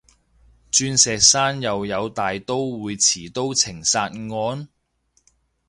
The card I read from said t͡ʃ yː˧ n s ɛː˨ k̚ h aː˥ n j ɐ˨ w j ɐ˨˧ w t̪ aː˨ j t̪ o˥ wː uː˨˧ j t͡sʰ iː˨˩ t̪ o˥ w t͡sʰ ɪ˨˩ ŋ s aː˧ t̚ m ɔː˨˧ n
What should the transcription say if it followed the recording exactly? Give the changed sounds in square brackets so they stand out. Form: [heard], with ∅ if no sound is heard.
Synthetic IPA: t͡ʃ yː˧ n s ɛː˨ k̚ [s] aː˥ n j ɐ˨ w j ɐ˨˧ w t̪ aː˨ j t̪ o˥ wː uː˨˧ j t͡sʰ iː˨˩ t̪ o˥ w t͡sʰ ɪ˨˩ ŋ s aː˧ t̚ [ŋ] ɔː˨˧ n